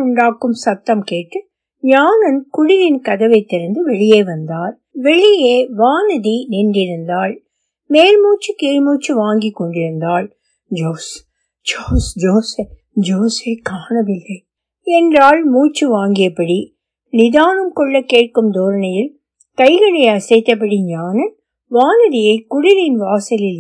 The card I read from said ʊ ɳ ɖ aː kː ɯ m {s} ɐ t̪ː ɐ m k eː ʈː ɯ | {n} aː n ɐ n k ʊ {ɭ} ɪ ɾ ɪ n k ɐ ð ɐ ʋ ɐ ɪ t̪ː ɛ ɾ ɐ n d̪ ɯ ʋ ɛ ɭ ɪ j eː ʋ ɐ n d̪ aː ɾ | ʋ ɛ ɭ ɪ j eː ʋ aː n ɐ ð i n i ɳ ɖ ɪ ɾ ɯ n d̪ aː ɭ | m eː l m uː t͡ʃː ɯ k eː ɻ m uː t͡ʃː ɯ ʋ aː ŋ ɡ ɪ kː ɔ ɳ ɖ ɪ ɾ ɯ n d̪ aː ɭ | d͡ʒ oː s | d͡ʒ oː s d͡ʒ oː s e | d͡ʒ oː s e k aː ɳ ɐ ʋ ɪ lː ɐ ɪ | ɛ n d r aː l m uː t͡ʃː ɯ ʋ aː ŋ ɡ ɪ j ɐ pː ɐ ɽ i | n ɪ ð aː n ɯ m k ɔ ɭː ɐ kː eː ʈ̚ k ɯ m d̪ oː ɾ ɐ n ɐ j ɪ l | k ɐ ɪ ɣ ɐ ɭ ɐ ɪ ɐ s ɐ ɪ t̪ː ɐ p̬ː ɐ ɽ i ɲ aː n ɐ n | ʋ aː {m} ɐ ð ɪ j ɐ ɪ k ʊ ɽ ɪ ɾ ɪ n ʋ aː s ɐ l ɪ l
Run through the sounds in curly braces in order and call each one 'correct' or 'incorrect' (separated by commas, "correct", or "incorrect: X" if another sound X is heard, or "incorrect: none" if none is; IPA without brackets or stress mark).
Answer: correct, incorrect: ɲ, incorrect: ɽ, incorrect: n